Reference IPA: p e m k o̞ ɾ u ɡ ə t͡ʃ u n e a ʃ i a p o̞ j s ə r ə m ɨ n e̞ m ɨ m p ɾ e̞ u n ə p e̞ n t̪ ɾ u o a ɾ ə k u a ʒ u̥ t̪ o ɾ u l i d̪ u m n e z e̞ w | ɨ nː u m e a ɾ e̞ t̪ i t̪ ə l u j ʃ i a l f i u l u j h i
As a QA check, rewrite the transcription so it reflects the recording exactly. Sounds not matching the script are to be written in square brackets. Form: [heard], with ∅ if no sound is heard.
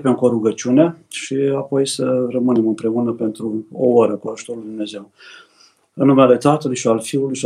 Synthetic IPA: p e m k o̞ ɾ u ɡ ə t͡ʃ u n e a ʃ i a p o̞ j s ə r ə m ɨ n e̞ m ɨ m p ɾ e̞ u n ə p e̞ n t̪ ɾ u o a ɾ ə k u a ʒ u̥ t̪ o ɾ u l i d̪ u m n e z e̞ w | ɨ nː u m e a [l] e̞ t̪ [a] t̪ ə l u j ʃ i a l f i u l u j [ʃ] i